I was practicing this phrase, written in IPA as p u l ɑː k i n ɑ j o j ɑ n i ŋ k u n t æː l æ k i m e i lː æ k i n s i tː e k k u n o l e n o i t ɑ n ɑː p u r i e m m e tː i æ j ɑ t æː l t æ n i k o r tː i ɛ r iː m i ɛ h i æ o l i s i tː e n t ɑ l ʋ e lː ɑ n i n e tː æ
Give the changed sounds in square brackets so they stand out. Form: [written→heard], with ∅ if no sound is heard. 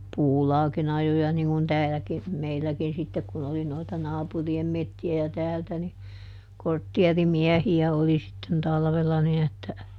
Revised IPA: p [u→uː] l ɑː k i n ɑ j o j ɑ n i ŋ k u n t æː l æ k i m e i lː æ k i n s i tː e k k u n o l [e→i] n o i t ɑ n ɑː p u r i e m m e tː i æ j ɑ t æː l t æ n i k o r tː i ɛ r [iː→i] m i ɛ h i æ o l i s i tː e n t ɑ l ʋ e lː ɑ n i n e tː æ